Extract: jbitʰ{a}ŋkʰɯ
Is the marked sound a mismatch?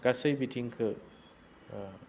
yes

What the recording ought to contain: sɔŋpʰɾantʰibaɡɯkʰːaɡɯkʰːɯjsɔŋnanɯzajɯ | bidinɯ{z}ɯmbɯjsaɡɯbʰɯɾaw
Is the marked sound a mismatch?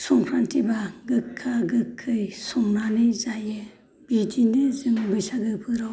no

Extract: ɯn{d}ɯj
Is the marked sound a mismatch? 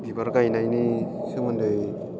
no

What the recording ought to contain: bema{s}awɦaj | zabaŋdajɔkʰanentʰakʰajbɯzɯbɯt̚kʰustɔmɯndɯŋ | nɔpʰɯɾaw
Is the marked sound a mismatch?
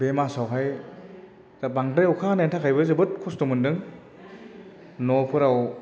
no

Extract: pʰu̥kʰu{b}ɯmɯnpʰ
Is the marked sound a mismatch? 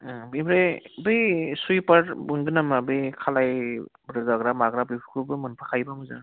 no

